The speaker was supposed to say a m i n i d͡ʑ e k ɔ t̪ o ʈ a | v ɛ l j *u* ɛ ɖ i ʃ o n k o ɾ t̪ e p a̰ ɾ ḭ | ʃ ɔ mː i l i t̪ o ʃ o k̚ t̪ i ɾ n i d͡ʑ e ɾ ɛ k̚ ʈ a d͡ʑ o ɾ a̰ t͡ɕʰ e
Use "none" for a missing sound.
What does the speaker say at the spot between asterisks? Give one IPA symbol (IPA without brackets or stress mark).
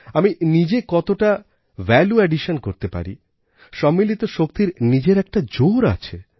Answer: u